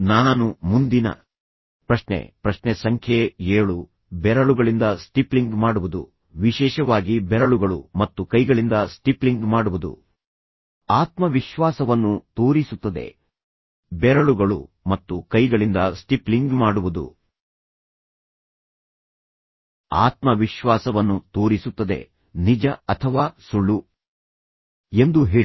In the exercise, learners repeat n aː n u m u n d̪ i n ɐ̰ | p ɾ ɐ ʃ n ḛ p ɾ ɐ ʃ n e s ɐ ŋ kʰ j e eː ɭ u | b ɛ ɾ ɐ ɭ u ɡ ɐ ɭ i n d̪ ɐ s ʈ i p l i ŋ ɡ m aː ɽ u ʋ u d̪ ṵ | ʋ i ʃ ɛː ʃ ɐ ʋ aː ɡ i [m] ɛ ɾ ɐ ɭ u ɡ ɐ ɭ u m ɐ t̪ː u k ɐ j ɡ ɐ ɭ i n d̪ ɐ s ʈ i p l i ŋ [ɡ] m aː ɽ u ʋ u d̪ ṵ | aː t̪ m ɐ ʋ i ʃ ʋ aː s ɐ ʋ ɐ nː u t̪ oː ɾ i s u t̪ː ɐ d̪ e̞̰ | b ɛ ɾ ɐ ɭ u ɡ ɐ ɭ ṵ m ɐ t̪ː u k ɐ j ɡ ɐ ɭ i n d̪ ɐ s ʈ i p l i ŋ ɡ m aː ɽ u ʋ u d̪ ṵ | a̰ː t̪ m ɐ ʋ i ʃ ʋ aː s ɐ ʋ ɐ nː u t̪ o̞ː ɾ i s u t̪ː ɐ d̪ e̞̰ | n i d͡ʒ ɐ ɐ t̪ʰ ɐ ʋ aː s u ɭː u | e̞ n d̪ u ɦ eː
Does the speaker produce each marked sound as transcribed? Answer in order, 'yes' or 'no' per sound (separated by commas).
no, yes